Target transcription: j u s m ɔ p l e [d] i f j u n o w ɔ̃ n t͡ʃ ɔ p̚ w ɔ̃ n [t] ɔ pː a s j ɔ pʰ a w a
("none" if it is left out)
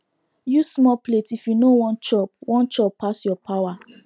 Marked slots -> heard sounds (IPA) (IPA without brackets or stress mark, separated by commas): t, t͡ʃ